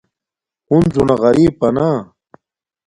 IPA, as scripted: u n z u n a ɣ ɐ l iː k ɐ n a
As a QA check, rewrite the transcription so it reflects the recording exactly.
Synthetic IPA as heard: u n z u n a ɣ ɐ ɾ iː p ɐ n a